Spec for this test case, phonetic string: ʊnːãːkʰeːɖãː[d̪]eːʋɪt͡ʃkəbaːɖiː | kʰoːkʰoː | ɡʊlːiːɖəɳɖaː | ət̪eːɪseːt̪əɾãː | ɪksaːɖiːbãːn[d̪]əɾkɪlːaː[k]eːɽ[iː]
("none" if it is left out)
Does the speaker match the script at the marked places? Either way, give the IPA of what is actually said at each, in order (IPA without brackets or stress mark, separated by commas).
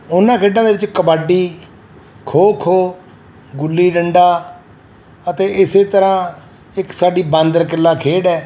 d̪, d̪, kʰ, ɛː